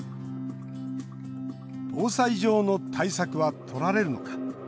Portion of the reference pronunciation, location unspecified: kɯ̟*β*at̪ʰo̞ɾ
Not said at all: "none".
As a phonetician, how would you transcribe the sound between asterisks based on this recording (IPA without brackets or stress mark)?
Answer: β